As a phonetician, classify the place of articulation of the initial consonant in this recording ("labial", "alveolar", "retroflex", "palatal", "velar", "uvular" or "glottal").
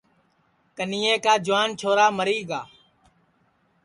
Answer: velar